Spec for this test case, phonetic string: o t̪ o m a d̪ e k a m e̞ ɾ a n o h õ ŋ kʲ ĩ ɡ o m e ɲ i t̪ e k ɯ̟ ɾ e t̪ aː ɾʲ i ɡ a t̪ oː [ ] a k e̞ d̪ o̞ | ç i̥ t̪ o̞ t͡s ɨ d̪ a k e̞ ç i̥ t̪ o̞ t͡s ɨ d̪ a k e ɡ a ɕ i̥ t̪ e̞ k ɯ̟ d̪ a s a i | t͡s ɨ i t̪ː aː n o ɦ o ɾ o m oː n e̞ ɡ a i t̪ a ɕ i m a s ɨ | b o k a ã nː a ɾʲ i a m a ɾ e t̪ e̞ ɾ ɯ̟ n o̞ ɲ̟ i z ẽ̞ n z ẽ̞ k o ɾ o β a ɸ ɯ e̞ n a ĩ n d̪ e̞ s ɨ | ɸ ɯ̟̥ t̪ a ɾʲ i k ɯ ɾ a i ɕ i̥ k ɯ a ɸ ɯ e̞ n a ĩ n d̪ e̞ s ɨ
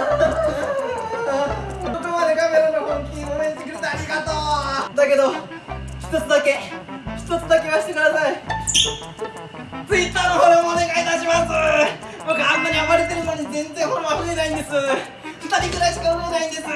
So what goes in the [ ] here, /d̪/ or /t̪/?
d̪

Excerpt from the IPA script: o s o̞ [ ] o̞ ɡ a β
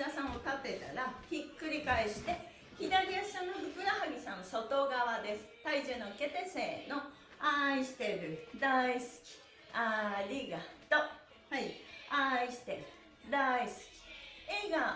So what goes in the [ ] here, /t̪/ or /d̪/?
t̪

